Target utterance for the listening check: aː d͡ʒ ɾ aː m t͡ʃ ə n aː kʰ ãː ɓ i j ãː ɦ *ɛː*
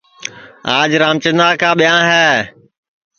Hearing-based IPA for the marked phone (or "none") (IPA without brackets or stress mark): ɛː